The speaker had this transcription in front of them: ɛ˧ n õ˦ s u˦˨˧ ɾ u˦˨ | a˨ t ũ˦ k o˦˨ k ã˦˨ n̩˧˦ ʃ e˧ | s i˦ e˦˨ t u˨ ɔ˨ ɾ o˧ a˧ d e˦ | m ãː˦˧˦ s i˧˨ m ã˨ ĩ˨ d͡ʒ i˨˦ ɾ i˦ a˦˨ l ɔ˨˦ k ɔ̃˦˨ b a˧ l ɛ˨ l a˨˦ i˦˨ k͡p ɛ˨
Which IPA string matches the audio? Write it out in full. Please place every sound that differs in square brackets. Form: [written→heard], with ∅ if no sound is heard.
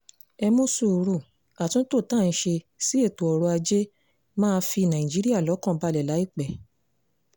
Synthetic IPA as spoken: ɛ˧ [n→m] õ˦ s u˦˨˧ ɾ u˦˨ | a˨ t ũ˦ [k→t] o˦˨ [k→t] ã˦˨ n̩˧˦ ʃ e˧ | s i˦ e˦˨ t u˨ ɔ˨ ɾ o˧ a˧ [d→d͡ʒ] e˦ | m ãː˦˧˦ [s→f] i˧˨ [m→n] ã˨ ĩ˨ d͡ʒ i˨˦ ɾ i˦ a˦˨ l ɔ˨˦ k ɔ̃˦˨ b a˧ l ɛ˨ l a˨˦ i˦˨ k͡p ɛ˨